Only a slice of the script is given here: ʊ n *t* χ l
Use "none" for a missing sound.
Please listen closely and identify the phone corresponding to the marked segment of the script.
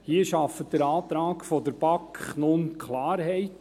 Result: k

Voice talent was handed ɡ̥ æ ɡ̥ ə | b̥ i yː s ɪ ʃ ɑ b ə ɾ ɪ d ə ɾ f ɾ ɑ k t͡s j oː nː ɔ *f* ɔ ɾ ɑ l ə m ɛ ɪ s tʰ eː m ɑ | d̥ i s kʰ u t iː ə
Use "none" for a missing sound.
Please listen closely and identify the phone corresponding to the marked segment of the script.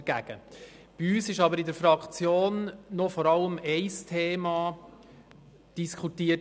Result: f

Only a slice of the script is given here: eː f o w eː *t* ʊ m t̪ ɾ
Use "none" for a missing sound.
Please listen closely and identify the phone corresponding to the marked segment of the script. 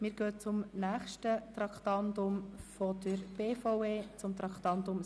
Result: t͡s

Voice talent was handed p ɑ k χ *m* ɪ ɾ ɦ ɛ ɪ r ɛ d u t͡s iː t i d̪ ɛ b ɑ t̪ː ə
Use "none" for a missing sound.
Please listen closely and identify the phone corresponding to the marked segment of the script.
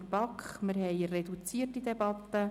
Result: m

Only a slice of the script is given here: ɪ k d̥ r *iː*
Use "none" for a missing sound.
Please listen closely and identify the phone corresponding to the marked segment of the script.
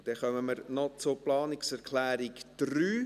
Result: yː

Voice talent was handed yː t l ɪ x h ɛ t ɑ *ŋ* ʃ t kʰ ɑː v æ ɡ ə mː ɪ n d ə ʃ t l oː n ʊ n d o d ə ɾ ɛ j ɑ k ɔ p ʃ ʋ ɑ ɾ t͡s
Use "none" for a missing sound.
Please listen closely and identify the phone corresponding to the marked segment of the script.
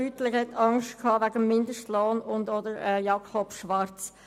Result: ŋ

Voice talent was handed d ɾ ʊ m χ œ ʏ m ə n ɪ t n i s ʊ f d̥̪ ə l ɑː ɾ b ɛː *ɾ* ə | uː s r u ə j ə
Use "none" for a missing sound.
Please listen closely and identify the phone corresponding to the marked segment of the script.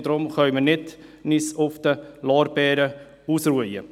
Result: ɾ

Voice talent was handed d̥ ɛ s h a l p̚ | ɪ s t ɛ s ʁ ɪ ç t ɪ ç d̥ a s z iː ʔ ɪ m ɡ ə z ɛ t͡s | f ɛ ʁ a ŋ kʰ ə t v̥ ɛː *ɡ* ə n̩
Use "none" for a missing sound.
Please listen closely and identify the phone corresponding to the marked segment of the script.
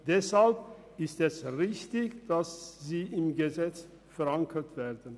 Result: d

